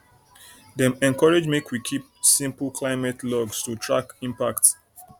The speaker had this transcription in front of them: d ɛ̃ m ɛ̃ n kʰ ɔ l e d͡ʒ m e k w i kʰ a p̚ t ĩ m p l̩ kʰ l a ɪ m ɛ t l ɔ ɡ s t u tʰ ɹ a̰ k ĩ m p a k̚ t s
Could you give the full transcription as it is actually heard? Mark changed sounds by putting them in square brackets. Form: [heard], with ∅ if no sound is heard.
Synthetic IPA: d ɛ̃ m ɛ̃ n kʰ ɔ [ɹ] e d͡ʒ m e k w i kʰ [i] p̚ [s] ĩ m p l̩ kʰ l a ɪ m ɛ t l ɔ ɡ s t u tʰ ɹ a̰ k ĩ m p a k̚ t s